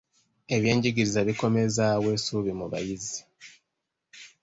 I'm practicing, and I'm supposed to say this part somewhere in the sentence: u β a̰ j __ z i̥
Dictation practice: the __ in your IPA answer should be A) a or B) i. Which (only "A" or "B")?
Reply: B